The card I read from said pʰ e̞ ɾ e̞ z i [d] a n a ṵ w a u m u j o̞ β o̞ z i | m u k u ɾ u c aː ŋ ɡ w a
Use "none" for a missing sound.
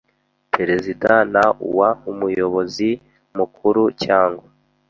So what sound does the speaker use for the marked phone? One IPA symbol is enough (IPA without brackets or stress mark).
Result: d